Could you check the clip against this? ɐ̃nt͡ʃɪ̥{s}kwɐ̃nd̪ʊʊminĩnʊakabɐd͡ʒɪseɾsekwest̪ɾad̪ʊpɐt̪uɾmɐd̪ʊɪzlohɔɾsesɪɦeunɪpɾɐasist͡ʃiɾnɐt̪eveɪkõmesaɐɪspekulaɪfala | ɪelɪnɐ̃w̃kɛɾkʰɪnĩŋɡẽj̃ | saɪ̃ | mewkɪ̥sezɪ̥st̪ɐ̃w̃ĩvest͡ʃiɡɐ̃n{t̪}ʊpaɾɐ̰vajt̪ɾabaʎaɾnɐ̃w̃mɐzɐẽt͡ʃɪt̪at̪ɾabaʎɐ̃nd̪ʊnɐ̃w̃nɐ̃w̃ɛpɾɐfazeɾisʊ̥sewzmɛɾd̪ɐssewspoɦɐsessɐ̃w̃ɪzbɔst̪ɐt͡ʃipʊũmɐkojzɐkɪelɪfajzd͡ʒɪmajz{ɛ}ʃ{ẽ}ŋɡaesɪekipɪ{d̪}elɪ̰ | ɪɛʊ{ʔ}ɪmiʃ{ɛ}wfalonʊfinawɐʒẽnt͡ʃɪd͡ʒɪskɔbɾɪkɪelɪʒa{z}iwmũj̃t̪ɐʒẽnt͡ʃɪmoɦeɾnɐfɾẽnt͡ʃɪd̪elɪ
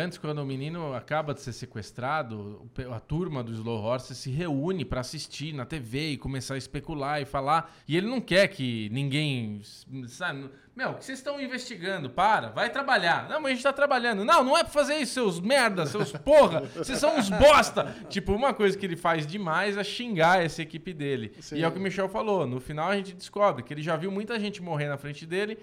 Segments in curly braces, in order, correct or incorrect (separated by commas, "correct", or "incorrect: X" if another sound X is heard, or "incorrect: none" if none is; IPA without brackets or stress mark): correct, incorrect: d̪, correct, incorrect: ĩ, correct, incorrect: k, correct, incorrect: v